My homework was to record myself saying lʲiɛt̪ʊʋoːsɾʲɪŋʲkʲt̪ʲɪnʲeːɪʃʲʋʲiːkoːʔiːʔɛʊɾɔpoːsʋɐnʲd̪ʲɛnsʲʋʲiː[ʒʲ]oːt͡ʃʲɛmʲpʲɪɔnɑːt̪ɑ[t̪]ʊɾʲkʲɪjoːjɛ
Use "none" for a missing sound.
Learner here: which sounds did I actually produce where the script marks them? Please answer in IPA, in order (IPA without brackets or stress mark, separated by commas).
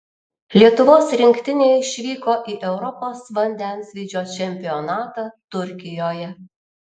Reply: d͡ʒʲ, t̪